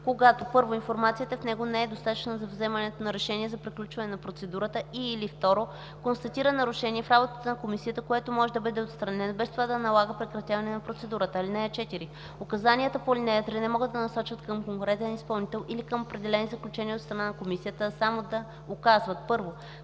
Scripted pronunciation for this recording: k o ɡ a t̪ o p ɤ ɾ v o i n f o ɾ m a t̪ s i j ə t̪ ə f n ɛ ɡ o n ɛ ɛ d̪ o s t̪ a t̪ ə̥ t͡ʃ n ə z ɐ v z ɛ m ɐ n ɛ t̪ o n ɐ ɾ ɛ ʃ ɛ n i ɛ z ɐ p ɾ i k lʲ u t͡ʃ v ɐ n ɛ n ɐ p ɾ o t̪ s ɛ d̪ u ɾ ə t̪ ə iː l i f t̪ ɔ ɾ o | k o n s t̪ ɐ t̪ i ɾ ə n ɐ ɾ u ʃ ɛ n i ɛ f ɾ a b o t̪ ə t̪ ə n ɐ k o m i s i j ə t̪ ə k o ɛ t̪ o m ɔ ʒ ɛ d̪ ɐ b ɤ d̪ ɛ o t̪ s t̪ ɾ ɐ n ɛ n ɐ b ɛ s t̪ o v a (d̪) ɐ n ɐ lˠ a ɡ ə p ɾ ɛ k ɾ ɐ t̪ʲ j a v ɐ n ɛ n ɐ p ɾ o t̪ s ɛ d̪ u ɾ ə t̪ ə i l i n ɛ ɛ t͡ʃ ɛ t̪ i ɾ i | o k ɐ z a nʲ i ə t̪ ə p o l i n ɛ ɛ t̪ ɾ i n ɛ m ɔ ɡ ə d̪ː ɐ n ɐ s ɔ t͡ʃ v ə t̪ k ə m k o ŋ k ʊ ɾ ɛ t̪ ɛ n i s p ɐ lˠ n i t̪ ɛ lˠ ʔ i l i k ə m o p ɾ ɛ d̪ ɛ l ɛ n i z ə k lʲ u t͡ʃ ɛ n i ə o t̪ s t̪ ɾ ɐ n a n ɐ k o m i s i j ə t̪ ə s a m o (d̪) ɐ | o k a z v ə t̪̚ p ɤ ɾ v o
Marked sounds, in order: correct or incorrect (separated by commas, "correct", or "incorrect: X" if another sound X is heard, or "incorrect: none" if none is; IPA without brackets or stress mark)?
correct, correct